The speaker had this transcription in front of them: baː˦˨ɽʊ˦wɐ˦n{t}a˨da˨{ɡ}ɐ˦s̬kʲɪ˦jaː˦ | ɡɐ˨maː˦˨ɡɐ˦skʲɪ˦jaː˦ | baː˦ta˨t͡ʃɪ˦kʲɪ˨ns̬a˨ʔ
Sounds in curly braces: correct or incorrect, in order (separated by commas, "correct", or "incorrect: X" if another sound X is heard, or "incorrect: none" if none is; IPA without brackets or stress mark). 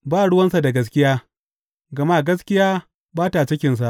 incorrect: s, correct